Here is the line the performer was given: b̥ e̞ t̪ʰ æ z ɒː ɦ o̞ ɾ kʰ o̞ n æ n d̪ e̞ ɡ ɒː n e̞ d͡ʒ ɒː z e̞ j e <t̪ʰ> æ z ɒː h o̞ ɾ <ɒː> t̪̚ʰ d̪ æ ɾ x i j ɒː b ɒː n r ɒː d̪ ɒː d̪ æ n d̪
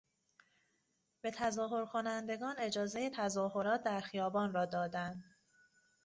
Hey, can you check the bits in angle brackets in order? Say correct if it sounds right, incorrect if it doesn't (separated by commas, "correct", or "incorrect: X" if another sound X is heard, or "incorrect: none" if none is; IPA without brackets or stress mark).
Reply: correct, correct